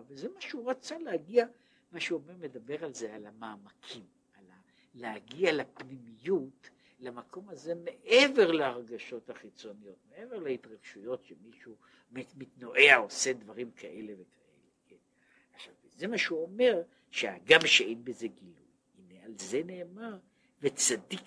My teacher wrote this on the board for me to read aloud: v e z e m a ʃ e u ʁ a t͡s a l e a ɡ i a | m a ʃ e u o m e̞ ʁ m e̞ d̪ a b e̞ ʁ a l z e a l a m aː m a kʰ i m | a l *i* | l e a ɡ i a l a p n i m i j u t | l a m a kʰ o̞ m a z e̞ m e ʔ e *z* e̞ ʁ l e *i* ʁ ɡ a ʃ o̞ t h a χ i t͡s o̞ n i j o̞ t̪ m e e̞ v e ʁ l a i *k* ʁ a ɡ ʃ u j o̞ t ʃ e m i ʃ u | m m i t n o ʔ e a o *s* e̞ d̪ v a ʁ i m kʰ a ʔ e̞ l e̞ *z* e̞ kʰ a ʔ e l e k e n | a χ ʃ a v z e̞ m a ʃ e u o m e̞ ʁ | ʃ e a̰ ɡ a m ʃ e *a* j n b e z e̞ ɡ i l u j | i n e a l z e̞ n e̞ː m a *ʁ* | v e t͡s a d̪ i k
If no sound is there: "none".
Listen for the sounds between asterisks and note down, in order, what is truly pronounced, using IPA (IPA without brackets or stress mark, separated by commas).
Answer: a, v, a, t, s, v, e, ʁ